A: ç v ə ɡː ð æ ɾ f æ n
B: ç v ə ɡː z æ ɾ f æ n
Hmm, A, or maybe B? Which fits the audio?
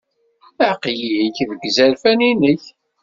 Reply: B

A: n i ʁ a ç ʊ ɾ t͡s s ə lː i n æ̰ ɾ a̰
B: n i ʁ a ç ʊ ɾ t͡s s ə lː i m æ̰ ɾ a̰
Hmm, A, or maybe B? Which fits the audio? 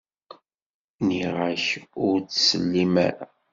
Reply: B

